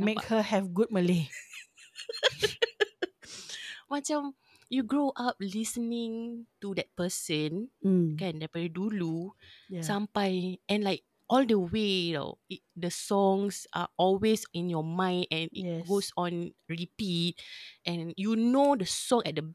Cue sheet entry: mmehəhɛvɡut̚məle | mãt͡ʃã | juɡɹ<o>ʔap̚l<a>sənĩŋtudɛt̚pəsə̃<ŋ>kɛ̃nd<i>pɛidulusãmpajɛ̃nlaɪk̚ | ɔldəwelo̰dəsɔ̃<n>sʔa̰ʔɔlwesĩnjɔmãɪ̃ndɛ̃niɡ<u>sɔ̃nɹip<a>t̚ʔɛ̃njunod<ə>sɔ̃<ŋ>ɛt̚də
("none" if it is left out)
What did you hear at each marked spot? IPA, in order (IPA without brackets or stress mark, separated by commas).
o, i, n, ɛ, ŋ, o, i, ə, ŋ